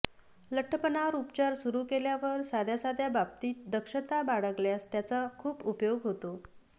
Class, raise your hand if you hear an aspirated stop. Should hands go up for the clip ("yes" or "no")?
yes